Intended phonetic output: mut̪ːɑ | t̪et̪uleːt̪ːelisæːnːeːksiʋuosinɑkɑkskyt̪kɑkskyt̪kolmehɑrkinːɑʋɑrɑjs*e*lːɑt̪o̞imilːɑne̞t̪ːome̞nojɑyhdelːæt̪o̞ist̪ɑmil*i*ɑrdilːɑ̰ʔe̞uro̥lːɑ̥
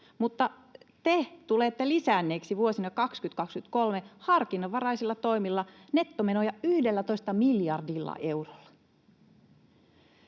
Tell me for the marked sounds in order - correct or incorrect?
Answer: incorrect, incorrect

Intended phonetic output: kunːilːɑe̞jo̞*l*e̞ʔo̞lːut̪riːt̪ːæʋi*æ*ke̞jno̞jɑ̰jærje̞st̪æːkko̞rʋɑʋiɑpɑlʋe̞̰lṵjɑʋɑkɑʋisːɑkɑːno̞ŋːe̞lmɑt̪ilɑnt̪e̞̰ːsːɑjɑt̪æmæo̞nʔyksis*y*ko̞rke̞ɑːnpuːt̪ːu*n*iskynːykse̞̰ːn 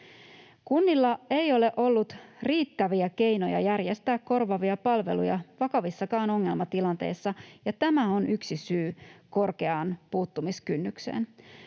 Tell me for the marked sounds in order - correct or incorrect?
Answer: correct, correct, incorrect, incorrect

